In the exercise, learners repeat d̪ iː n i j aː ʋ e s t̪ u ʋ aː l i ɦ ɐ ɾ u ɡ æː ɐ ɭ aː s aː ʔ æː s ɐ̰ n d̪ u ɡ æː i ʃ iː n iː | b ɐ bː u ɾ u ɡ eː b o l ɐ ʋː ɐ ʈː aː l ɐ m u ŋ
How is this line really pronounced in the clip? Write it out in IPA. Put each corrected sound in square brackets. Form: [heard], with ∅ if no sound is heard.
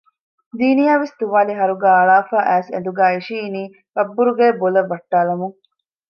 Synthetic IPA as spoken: d̪ iː n i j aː ʋ e s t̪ u ʋ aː l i ɦ ɐ ɾ u ɡ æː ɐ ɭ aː [f] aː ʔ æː s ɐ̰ n d̪ u ɡ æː i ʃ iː n iː | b ɐ bː u ɾ u ɡ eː b o l ɐ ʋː ɐ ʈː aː l ɐ m u ŋ